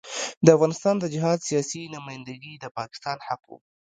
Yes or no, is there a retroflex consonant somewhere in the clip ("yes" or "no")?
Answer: no